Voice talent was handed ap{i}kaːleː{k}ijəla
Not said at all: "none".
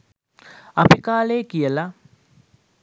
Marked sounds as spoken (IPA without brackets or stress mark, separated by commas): i, k